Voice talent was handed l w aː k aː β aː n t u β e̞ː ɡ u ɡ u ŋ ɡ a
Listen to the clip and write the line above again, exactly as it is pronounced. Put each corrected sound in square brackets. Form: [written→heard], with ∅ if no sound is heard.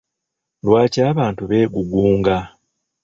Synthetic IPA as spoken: l w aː [k→c] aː β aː n t u β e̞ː ɡ u ɡ [u→uː] ŋ ɡ a